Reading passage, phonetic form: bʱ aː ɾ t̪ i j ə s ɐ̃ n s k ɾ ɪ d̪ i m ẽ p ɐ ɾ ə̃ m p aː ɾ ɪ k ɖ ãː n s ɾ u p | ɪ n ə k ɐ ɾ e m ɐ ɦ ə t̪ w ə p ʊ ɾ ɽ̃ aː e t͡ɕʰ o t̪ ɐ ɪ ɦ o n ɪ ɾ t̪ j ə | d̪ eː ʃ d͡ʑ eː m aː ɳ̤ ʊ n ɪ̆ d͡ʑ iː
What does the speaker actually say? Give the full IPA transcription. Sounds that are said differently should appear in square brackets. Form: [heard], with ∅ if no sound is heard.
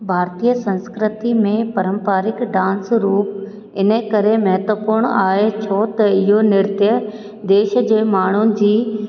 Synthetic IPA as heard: bʱ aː ɾ t̪ i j ə s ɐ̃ n s k ɾ ɪ [t̪] i m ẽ p ɐ ɾ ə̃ m p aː ɾ ɪ k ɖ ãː n s ɾ [uː] p | ɪ n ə k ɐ ɾ e m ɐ ɦ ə t̪ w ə p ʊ ɾ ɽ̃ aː e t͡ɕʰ o t̪ ɐ ɪ ɦ o n ɪ ɾ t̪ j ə | d̪ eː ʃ d͡ʑ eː m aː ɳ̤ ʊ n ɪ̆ d͡ʑ iː